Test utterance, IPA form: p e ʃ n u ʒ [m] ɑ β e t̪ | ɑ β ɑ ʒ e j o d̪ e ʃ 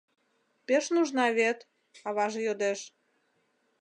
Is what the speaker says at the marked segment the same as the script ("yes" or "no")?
no